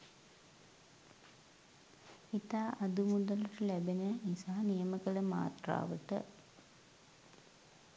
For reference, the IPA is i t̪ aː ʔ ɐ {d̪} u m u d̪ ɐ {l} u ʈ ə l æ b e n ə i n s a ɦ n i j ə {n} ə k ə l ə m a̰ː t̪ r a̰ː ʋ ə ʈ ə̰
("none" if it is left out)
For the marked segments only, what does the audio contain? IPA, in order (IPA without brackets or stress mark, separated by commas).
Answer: d̪, l, m